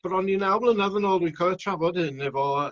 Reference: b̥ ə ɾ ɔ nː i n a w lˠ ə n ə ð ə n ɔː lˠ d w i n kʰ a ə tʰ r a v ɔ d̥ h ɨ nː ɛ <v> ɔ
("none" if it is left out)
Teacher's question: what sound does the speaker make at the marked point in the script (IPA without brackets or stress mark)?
v